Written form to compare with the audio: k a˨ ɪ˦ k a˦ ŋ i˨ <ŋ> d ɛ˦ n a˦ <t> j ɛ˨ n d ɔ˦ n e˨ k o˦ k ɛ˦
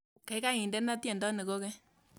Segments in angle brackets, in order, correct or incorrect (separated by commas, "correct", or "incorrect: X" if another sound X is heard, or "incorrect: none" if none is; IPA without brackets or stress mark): incorrect: n, correct